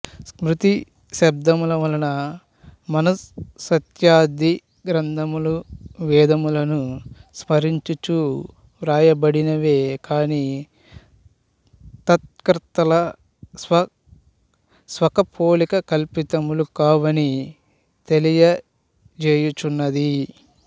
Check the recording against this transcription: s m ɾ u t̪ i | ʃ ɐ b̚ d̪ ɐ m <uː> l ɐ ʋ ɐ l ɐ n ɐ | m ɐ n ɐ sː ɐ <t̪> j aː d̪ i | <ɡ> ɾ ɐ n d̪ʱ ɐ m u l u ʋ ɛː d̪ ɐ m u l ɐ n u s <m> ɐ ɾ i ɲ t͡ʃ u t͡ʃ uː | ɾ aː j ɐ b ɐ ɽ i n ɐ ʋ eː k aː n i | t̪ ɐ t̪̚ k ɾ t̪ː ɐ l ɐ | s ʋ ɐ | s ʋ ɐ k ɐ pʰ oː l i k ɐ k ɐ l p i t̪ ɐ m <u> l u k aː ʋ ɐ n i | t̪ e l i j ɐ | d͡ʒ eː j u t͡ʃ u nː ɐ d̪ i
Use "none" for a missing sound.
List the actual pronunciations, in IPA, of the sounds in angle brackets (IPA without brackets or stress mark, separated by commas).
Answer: u, t̪, ɡ, m, u